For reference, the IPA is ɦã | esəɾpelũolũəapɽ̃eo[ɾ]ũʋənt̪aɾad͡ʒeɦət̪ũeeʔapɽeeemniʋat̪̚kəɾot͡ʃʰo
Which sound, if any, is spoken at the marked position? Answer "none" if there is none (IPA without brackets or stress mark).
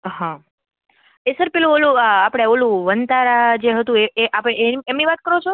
l